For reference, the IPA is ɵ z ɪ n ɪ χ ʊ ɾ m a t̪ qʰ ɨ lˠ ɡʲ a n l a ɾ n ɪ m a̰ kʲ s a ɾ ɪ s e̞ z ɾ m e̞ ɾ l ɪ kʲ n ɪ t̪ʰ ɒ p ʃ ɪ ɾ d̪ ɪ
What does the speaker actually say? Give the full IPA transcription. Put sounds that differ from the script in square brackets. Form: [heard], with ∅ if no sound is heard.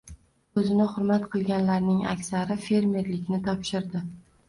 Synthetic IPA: ɵ z ɪ n ɪ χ ʊ ɾ m a t̪ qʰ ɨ lˠ ɡʲ a n l a ɾ n ɪ [ŋ] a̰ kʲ s a ɾ ɪ [f] e̞ [∅] ɾ m e̞ ɾ l ɪ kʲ n ɪ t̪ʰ ɒ p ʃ ɪ ɾ d̪ ɪ